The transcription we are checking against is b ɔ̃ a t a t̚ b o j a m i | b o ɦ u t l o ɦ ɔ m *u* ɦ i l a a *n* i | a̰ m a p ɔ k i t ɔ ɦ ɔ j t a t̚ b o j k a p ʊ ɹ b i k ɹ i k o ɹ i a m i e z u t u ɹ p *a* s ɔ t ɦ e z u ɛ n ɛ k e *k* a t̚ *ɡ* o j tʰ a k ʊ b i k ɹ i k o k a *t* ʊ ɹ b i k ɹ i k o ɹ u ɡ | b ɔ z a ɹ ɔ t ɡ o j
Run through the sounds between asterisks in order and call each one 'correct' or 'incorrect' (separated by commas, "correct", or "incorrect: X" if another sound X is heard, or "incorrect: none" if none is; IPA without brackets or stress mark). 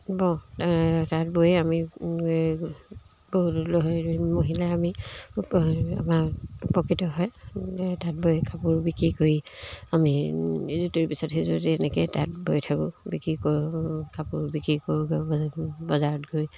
incorrect: o, incorrect: m, incorrect: i, incorrect: t, incorrect: b, incorrect: p